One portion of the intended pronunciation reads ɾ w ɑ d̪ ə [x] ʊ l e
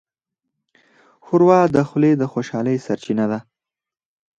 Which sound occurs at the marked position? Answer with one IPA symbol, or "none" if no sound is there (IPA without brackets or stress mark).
x